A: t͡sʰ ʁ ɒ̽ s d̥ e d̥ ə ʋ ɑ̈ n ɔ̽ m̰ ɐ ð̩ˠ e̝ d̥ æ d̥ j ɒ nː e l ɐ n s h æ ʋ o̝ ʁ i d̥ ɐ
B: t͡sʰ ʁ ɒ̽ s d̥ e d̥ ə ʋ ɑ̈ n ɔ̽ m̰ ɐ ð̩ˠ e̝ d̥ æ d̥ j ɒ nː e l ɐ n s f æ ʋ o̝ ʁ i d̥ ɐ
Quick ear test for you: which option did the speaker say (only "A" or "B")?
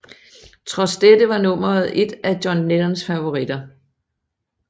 B